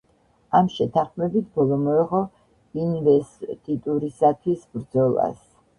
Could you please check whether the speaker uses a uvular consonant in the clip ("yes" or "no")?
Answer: yes